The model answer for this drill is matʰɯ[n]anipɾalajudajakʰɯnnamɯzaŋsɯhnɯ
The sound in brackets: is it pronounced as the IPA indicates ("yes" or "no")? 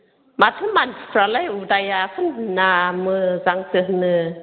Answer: no